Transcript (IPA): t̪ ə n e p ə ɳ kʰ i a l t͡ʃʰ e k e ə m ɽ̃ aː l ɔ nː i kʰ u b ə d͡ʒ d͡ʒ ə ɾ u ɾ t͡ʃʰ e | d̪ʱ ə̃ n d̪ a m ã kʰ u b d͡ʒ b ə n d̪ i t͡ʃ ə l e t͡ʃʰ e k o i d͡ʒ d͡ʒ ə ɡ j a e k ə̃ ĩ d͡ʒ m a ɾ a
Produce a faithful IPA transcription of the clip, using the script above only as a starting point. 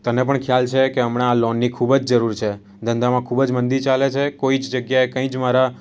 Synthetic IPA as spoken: t̪ ə n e p ə ɳ kʰ j a l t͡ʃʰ e k e ə m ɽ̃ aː l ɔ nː i kʰ u b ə d͡ʒ d͡ʒ ə ɾ u ɾ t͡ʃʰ e | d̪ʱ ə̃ n d̪ a m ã kʰ u b d͡ʒ m ə n d̪ i t͡ʃ a l e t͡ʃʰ e k o i d͡ʒ d͡ʒ ə ɡ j a e k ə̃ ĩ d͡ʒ m a ɾ a

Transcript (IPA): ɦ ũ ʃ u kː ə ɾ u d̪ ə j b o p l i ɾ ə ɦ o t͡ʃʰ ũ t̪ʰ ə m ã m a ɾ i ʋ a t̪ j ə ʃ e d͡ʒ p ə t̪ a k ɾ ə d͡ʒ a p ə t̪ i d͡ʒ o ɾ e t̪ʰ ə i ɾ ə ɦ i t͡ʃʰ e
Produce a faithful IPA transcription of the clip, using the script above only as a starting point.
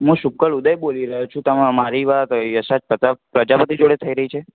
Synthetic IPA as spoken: ɦ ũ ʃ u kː ə ɭ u d̪ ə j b o l i ɾ ə ɦ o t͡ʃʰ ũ t̪ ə m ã m a ɾ i ʋ a t̪ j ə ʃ a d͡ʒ p ə t̪ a p ɾ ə d͡ʒ a p ə t̪ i d͡ʒ o ɽ e t̪ʰ ə i ɾ ə ɦ i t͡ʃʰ e

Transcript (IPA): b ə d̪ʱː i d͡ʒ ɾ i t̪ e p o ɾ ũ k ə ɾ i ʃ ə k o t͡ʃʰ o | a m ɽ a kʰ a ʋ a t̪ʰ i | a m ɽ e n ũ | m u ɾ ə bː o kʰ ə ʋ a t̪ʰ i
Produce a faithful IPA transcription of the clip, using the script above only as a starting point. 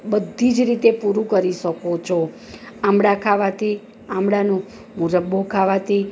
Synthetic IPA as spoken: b ə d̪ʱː i d͡ʒ ɾ i t̪ e p u ɾ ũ k ə ɾ i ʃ ə k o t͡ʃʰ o | a m ɽ a kʰ a ʋ a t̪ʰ i | a m ɽ a n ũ | m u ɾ ə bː o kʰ a ʋ a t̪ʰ i

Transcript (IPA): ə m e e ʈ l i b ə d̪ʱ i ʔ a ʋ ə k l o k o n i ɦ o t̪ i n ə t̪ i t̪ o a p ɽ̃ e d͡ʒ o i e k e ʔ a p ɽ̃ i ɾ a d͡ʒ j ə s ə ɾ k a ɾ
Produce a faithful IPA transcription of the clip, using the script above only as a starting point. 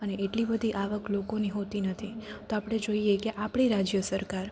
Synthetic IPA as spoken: ə n e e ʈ l i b ə d̪ʱ i ʔ a ʋ ə k l o k o n i ɦ o t̪ i n ə t̪ʰ i t̪ o a p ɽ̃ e d͡ʒ o i e k e ʔ a p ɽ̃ i ɾ a d͡ʒ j ə s ə ɾ k a ɾ

